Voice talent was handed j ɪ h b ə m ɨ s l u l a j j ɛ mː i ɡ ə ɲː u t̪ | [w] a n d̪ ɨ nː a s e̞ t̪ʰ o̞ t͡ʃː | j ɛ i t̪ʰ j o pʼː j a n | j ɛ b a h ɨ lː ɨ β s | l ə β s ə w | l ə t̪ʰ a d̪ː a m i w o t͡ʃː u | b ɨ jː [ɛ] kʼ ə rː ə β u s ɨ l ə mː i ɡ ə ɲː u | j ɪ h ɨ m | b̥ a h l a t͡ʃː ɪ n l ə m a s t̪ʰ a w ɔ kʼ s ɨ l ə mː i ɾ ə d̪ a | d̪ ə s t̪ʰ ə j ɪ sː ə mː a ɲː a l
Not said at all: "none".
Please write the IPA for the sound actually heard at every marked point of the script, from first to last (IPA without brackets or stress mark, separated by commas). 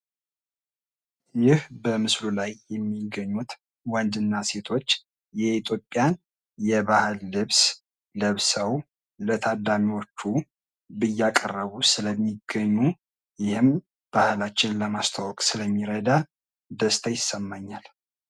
w, a